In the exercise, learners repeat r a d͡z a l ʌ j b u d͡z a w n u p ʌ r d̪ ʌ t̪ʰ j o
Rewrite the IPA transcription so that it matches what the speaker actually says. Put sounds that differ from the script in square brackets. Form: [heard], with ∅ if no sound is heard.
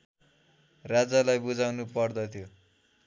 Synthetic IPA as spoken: r a d͡z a l [a] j b u d͡z a w n u p ʌ r d̪ ʌ t̪ʰ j o